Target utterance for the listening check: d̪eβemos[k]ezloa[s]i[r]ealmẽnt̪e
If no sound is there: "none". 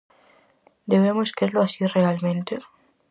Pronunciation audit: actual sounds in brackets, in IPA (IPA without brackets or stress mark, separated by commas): k, s, r